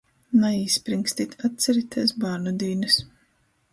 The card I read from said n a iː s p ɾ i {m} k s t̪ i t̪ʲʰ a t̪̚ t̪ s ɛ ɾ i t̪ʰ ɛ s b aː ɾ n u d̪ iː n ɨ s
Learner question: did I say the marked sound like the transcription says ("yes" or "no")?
no